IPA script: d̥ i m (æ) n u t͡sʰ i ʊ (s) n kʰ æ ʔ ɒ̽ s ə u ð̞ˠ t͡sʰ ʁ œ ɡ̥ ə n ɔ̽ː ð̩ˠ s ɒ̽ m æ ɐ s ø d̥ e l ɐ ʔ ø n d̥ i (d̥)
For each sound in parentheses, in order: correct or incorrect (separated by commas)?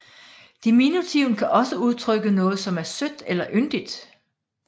incorrect, incorrect, correct